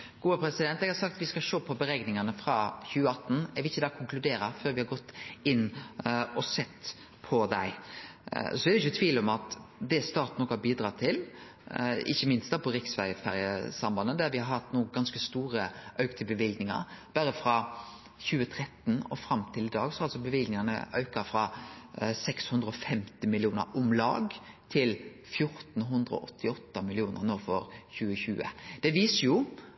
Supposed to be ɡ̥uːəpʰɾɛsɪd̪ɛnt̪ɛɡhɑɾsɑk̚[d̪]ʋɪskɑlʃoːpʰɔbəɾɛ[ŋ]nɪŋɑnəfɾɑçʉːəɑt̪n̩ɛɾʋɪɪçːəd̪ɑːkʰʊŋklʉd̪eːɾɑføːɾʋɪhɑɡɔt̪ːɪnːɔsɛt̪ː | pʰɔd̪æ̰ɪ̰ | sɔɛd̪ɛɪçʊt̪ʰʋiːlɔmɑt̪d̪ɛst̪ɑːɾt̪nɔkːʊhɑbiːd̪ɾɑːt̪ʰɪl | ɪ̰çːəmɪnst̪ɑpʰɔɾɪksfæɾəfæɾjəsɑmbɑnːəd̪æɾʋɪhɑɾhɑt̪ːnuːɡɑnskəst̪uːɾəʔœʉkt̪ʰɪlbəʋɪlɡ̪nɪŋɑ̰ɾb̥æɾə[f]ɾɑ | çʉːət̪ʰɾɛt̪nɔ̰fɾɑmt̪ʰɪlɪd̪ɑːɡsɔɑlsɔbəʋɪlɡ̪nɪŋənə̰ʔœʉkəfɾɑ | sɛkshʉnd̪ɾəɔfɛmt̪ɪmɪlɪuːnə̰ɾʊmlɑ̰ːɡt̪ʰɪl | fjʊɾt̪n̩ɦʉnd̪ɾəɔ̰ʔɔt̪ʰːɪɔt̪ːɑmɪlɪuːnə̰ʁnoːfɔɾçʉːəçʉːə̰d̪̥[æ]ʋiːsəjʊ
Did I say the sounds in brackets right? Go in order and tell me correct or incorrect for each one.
incorrect: t̪, incorrect: ɡ, correct, incorrect: ɛ

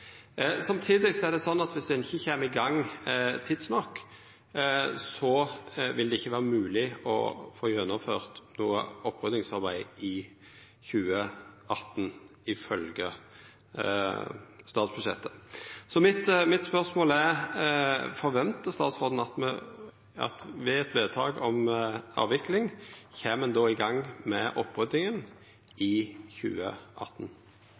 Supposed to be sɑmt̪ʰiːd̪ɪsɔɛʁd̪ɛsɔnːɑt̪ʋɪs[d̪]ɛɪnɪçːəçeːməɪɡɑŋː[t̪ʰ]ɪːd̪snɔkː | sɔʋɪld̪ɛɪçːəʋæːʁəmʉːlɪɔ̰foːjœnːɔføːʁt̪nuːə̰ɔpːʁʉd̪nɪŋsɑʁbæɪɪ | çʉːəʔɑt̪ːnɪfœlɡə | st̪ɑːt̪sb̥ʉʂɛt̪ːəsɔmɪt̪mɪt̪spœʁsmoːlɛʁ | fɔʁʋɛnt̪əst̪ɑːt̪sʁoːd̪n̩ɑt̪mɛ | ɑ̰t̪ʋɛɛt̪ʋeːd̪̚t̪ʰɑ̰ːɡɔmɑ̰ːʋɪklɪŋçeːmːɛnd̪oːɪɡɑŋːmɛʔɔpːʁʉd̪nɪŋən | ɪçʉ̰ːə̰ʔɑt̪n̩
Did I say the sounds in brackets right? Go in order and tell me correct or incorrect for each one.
correct, correct

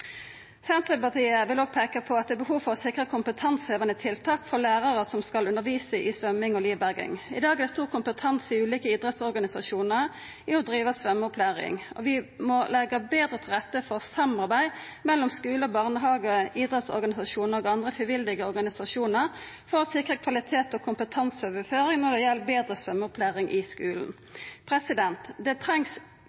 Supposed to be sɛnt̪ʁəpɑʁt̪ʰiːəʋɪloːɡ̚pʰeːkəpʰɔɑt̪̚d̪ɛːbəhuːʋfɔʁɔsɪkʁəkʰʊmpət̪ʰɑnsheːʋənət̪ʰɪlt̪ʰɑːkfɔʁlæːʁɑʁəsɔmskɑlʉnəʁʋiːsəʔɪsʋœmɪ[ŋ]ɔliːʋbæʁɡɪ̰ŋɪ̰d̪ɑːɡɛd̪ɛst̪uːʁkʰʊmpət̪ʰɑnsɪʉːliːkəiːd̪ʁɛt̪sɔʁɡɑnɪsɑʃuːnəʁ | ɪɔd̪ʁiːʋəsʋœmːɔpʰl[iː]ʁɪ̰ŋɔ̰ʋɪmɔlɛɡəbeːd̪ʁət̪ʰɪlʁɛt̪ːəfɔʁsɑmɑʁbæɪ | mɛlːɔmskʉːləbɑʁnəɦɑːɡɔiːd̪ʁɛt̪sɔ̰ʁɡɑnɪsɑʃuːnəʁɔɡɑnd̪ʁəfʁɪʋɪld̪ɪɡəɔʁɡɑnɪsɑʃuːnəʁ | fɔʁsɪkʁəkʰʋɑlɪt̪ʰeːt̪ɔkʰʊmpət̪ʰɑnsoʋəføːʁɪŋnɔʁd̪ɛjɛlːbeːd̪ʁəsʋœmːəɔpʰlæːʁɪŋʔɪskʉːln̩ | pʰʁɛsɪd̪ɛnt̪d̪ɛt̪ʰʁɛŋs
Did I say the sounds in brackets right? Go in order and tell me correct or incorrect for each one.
correct, incorrect: æː

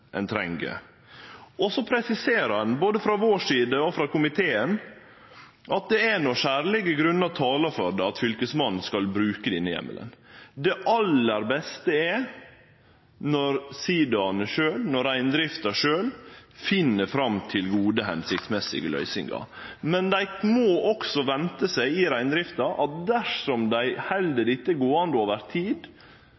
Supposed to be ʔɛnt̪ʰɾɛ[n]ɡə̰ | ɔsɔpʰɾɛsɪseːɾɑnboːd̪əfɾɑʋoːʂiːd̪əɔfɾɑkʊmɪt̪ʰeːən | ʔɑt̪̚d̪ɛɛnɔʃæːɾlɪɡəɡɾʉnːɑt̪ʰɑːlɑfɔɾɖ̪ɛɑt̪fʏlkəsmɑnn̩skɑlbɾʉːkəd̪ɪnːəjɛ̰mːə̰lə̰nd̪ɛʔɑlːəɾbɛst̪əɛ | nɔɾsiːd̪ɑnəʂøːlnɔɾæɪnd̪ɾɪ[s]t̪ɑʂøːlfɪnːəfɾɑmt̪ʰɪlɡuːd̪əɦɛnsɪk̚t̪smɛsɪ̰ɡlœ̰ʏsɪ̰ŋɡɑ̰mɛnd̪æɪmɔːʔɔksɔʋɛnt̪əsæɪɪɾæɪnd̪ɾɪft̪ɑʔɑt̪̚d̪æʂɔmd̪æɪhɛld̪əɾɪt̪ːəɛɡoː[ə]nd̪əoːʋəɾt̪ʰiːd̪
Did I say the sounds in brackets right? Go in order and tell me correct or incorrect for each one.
incorrect: ŋ, incorrect: f, incorrect: ɑ

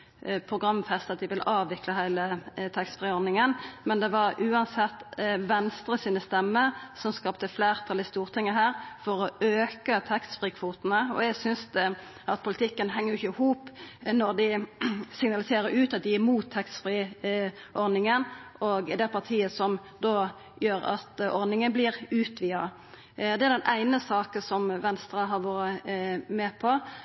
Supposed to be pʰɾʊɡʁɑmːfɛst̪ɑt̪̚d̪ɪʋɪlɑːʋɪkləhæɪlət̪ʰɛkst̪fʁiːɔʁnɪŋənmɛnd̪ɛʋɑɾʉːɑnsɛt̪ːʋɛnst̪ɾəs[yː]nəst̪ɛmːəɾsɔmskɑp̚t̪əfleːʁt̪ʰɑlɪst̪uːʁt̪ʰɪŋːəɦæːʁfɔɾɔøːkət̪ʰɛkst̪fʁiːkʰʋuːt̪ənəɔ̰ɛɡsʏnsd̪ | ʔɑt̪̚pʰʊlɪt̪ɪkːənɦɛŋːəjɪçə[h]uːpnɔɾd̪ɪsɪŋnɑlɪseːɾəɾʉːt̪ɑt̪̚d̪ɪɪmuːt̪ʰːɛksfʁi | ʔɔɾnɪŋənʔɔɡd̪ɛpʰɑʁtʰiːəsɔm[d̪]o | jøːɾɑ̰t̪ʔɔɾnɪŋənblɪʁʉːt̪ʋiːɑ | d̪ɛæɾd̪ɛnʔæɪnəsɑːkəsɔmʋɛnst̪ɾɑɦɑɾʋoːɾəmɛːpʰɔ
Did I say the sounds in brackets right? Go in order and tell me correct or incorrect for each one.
incorrect: iː, correct, correct

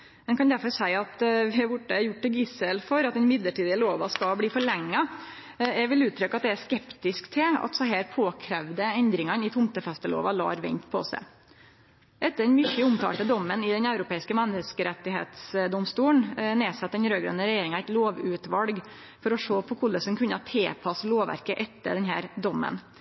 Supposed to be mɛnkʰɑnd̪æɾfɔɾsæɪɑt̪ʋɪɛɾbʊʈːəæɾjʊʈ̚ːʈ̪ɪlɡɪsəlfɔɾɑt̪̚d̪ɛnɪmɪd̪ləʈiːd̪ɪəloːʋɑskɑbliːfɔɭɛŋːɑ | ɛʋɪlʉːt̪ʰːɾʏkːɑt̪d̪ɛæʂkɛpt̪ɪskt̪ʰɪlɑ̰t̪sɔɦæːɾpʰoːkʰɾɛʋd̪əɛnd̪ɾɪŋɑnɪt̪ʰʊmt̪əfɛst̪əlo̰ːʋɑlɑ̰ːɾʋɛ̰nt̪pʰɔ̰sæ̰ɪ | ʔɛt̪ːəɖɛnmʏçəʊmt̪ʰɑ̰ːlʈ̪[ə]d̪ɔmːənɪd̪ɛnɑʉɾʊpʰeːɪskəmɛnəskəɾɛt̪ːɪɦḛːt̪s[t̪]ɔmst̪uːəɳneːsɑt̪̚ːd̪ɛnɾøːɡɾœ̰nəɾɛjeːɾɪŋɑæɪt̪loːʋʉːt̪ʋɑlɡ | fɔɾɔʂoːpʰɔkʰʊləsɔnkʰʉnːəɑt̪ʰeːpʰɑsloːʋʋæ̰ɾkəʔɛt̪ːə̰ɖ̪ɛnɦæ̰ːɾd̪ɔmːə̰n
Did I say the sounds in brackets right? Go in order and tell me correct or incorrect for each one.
correct, incorrect: d̪

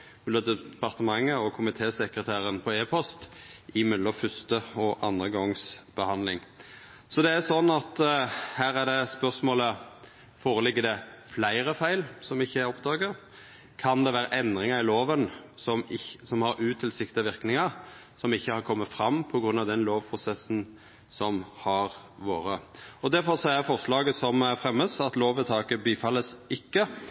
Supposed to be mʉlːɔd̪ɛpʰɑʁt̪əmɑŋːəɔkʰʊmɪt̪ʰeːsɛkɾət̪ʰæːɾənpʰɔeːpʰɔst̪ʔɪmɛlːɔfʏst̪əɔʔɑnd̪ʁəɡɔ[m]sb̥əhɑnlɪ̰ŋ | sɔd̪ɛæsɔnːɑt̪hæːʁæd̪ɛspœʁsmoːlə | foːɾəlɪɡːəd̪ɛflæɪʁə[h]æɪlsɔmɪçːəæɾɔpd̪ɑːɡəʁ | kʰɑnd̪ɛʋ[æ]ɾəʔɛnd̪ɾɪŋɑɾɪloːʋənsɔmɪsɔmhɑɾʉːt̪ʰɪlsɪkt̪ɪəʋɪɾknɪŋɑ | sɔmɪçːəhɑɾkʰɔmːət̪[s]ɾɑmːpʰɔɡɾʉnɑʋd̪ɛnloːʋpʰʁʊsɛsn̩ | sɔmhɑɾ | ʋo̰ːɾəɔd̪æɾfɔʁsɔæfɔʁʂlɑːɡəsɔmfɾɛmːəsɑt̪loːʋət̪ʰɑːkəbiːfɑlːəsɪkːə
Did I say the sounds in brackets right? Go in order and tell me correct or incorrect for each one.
incorrect: ŋ, incorrect: f, incorrect: æː, incorrect: f

